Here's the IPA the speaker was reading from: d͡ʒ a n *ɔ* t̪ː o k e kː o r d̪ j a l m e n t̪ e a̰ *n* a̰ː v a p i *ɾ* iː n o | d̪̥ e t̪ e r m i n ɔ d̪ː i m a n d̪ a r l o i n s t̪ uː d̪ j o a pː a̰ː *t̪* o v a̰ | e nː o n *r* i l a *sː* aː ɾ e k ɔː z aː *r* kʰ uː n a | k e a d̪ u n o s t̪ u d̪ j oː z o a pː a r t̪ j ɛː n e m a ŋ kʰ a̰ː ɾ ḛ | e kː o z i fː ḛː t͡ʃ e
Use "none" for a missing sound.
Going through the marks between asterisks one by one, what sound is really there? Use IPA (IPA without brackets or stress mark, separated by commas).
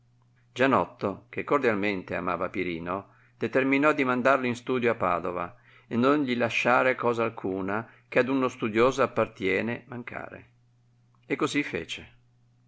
ɔ, m, ɾ, d̪, ʎ, ʃː, l